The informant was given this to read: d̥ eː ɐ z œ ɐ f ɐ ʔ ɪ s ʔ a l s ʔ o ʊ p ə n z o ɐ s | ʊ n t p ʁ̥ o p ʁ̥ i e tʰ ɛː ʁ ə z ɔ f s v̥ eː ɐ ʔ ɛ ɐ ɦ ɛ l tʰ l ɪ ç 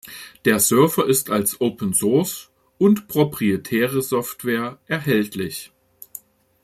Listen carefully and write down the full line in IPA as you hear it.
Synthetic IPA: d̥ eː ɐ z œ ɐ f ɐ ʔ ɪ s t a l s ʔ o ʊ p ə n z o ɐ s | ʊ n t p ʁ̥ o p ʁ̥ i e tʰ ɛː ʁ ə z ɔ f t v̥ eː ɐ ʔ ɛ ɐ ɦ ɛ l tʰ l ɪ ç

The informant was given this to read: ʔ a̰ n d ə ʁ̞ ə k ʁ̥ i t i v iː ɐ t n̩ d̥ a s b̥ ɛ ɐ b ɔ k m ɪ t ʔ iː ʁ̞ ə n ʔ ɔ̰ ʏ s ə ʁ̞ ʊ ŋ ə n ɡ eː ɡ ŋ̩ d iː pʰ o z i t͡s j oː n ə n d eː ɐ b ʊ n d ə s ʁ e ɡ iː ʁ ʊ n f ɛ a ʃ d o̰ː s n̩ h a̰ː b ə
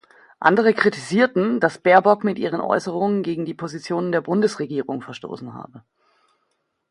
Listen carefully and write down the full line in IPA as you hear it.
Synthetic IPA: ʔ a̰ n d ə ʁ̞ ə k ʁ̥ i t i z iː ɐ t n̩ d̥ a s b̥ ɛ ɐ b ɔ k m ɪ t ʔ iː ʁ̞ ə n ʔ ɔ̰ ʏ s ə ʁ̞ ʊ ŋ ə n ɡ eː ɡ ŋ̩ d iː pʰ o z i t͡s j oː n ə n d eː ɐ b ʊ n d ə s ʁ e ɡ iː ʁ ʊ ŋ f ɛ ɐ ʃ t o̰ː s n̩ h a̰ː b ə

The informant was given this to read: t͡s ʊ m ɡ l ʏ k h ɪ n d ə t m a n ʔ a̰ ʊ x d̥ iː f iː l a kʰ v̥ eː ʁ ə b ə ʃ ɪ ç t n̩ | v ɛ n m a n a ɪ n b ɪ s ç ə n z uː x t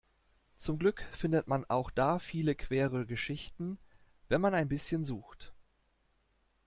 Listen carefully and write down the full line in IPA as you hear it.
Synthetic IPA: t͡s ʊ m ɡ l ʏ k f ɪ n d ə t m a n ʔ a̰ ʊ x d̥ aː f iː l ə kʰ v̥ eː ʁ ə ɡ ə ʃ ɪ ç t n̩ | v ɛ n m a n a ɪ n b ɪ s ç ə n z uː x t

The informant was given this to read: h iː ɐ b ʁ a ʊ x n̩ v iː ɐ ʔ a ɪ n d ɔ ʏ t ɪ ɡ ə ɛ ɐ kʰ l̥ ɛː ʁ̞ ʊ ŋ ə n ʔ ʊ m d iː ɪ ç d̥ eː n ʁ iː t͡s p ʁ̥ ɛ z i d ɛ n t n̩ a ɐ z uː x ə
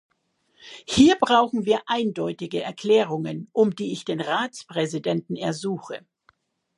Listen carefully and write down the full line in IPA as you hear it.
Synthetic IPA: h iː ɐ b ʁ a ʊ x n̩ v iː ɐ ʔ a ɪ n d ɔ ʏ t ɪ ɡ ə ɛ ɐ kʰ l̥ ɛː ʁ̞ ʊ ŋ ə n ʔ ʊ m d iː ɪ ç d̥ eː n ʁ aː t͡s p ʁ̥ ɛ z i d ɛ n t n̩ ɛ ɐ z uː x ə

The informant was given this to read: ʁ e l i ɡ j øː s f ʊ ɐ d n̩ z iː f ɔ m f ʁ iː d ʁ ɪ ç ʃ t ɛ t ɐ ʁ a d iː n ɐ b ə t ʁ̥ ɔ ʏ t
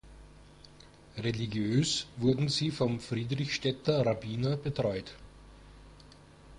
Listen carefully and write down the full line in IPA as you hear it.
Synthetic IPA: ʁ e l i ɡ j øː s v ʊ ɐ d n̩ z iː f ɔ m f ʁ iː d ʁ ɪ ç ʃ t ɛ t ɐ ʁ a b iː n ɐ b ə t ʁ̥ ɔ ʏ t

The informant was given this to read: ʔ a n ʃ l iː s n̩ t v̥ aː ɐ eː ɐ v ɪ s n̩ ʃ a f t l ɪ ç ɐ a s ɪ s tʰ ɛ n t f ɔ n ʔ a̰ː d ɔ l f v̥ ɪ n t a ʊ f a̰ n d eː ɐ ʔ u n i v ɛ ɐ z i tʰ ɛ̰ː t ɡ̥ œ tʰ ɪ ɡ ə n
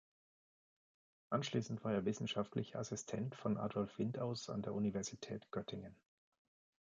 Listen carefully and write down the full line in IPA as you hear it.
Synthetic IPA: ʔ a n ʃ l iː s n̩ t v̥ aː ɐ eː ɐ v ɪ s n̩ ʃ a f t l ɪ ç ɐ a s ɪ s tʰ ɛ n t f ɔ n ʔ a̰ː d ɔ l f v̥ ɪ n t a ʊ s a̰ n d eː ɐ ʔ u n i v ɛ ɐ z i tʰ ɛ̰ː t ɡ̥ œ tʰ ɪ ŋ ə n

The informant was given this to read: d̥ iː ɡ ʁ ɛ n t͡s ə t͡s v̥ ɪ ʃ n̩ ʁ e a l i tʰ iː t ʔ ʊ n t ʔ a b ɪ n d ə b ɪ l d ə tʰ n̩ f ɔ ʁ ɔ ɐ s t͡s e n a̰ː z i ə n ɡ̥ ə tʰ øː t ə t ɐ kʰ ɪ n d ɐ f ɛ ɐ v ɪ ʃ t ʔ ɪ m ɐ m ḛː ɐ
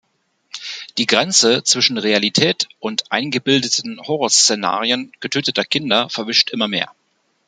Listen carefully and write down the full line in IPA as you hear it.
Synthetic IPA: d̥ iː ɡ ʁ ɛ n t͡s ə t͡s v̥ ɪ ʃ n̩ ʁ e a l i tʰ ɛː t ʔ ʊ n t ʔ a ɪ n ɡ ə b ɪ l d ə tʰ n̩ h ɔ ʁ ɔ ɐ s t͡s e n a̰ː ʁ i ə n ɡ̥ ə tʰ øː t ə t ɐ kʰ ɪ n d ɐ f ɛ ɐ v ɪ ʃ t ʔ ɪ m ɐ m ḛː ɐ

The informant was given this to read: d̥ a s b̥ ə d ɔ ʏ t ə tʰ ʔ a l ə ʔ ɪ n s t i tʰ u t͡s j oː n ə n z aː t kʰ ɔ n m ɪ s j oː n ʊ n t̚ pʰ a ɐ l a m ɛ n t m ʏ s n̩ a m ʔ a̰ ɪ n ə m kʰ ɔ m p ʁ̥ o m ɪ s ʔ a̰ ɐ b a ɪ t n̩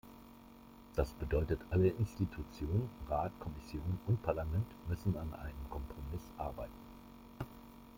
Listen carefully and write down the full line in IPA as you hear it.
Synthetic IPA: d̥ a s b̥ ə d ɔ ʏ t ə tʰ ʔ a l ə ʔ ɪ n s t i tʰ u t͡s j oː n ə n ʁ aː t kʰ ɔ m ɪ s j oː n ʊ n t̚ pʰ a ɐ l a m ɛ n t m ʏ s n̩ a n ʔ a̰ ɪ n ə m kʰ ɔ m p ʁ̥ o m ɪ s ʔ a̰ ɐ b a ɪ t n̩

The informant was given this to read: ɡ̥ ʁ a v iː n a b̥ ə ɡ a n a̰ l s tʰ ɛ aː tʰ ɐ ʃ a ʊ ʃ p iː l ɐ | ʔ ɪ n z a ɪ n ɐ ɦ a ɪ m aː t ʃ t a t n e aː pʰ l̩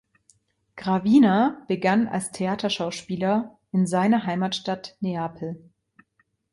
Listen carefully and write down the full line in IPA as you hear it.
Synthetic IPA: ɡ̥ ʁ a v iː n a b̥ ə ɡ a n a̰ l s tʰ e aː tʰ ɐ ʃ a ʊ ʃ p iː l ɐ | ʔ ɪ n z a ɪ n ɐ ɦ a ɪ m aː t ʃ t a t n e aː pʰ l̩

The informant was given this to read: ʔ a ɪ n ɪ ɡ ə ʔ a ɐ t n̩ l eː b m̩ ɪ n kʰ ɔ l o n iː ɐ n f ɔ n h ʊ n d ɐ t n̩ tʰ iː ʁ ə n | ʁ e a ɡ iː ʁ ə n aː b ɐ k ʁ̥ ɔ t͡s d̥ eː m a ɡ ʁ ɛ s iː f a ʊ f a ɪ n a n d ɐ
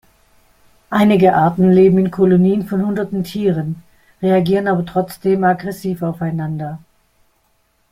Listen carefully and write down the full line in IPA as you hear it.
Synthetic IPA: ʔ a ɪ n ɪ ɡ ə ʔ a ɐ t n̩ l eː b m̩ ɪ n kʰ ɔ l o n iː ə n f ɔ n h ʊ n d ɐ t n̩ tʰ iː ʁ ə n | ʁ e a ɡ iː ʁ ə n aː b ɐ t ʁ̥ ɔ t͡s d̥ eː m a ɡ ʁ ɛ s iː f a ʊ f a ɪ n a n d ɐ

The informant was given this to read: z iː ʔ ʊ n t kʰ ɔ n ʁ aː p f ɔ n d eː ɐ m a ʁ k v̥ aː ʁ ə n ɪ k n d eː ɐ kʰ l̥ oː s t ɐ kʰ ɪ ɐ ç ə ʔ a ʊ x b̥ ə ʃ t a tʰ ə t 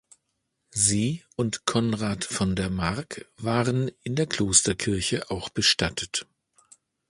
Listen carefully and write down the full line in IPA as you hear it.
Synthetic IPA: z iː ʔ ʊ n t kʰ ɔ n ʁ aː t f ɔ n d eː ɐ m a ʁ k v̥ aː ʁ ə n ɪ n d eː ɐ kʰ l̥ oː s t ɐ kʰ ɪ ɐ ç ə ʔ a ʊ x b̥ ə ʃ t a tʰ ə t

